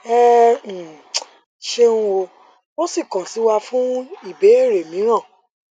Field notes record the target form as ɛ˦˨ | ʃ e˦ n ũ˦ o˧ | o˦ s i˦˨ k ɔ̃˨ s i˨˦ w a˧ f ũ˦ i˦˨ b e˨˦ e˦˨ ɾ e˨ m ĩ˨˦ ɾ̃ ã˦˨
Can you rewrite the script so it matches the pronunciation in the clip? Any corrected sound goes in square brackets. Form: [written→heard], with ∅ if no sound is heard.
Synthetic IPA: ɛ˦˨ | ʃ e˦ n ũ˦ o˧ | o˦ s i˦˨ k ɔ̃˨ s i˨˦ w a˧ f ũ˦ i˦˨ b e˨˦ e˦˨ ɾ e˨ m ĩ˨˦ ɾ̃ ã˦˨